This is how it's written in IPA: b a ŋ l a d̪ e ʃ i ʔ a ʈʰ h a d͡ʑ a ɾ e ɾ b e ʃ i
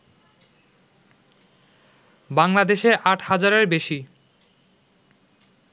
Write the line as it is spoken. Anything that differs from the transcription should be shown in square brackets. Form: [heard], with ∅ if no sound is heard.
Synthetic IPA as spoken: b a ŋ l a d̪ e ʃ [e] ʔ a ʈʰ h a d͡ʑ a ɾ e ɾ b e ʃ i

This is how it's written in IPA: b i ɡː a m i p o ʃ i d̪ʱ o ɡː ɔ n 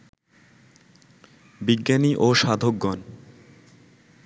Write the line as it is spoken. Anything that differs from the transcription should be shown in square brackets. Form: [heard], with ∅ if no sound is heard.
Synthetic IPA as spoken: b i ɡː a [n] i [ʔ] o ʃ [a] d̪ʱ o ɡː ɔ n

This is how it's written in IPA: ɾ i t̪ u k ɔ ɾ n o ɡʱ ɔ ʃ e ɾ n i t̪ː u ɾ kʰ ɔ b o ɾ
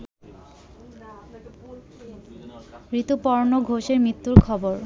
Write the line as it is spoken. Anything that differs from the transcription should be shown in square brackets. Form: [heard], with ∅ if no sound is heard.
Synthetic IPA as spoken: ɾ i t̪ u [p] ɔ ɾ n o ɡʱ [o] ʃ e ɾ [m] i t̪ː u ɾ kʰ ɔ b o ɾ

